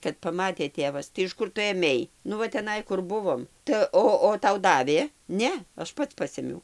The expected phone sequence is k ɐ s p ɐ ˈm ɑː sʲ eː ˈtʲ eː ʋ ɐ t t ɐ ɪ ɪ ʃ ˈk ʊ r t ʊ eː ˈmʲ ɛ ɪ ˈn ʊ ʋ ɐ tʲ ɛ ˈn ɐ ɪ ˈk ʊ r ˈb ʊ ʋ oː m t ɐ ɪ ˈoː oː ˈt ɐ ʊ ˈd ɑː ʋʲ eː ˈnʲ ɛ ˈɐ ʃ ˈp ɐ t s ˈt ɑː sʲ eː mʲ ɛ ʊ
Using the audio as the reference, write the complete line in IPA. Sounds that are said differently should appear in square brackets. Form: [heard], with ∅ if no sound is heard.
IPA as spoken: k ɐ [t] p ɐ ˈm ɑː [tʲ] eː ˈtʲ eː ʋ ɐ [s] t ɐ ɪ ɪ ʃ ˈk ʊ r t ʊ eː ˈmʲ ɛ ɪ ˈn ʊ ʋ ɐ tʲ ɛ ˈn ɐ ɪ ˈk ʊ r ˈb ʊ ʋ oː m t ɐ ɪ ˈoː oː ˈt ɐ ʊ ˈd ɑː ʋʲ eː ˈnʲ ɛ ˈɐ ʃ ˈp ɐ t s [ˈp] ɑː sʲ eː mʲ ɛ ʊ